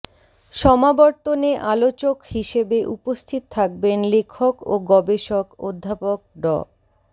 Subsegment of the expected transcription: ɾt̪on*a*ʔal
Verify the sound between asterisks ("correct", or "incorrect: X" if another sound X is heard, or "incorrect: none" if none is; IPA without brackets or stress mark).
incorrect: e